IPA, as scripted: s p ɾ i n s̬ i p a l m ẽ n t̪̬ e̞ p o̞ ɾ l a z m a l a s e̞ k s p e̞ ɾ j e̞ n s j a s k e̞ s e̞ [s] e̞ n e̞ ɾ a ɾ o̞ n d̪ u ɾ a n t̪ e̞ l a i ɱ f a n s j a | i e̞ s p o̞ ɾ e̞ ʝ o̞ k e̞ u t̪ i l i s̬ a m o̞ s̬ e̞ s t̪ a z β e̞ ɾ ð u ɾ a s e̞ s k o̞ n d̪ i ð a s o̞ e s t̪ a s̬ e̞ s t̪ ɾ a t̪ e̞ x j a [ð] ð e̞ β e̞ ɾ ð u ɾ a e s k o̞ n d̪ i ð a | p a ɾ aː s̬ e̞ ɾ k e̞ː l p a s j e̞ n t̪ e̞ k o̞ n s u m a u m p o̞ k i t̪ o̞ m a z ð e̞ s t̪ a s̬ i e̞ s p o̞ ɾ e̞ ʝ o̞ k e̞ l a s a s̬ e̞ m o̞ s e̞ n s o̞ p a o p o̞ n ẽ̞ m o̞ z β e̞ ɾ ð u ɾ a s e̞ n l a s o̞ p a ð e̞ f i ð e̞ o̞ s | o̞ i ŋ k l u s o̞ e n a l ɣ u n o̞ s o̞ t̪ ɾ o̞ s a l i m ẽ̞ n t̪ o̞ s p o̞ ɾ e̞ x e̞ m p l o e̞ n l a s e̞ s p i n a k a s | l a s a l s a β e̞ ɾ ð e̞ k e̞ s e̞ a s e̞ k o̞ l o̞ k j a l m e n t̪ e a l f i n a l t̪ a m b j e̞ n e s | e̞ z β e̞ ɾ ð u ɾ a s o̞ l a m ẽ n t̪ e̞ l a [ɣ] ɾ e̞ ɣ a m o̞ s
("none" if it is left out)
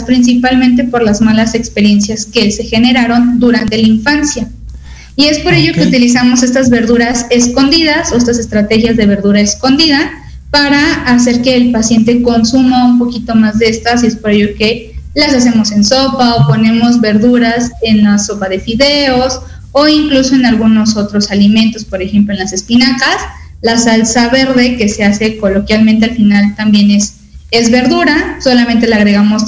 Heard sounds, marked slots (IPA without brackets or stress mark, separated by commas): x, z, ɣ